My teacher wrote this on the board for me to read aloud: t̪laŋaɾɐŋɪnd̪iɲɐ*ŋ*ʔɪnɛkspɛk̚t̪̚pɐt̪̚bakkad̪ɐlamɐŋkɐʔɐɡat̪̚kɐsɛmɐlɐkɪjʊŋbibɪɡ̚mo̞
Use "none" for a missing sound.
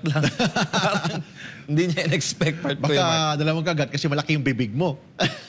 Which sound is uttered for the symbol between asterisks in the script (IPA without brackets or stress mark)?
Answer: none